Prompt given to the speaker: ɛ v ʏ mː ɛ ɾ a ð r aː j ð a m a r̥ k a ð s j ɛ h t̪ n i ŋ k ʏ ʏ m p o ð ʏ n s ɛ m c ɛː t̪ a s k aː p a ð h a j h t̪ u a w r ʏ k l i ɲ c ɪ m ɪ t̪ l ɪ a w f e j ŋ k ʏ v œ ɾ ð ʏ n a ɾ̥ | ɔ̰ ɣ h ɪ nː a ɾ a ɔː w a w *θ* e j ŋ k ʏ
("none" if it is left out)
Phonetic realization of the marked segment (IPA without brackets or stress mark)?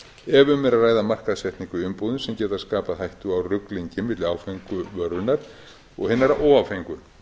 f